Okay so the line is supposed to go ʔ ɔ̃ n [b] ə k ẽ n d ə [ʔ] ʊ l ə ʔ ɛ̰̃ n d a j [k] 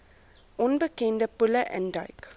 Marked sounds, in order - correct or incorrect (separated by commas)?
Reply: correct, incorrect, correct